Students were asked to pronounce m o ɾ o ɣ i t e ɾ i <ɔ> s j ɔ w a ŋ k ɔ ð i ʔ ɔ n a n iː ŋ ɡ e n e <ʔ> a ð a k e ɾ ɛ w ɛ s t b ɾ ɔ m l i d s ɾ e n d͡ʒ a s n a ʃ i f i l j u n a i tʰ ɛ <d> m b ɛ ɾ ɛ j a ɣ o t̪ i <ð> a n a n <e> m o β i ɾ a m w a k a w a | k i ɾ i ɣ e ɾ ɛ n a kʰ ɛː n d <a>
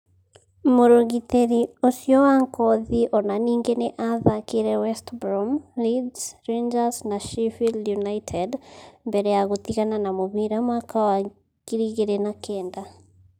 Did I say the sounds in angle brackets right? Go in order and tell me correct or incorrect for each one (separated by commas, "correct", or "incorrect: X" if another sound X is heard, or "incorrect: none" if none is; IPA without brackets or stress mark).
incorrect: o, correct, correct, incorrect: ɣ, incorrect: a, correct